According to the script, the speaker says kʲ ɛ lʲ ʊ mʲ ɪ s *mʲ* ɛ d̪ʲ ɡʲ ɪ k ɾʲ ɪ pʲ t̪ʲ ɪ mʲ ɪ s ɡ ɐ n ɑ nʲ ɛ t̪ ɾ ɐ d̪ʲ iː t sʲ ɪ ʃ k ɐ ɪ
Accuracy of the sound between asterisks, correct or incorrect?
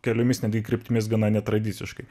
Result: incorrect